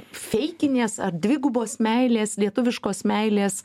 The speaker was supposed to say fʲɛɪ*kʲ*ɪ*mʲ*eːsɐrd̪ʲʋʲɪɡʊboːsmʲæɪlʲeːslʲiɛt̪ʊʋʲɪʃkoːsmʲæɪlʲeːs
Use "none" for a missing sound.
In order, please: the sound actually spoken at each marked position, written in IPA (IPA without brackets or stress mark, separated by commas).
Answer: kʲ, nʲ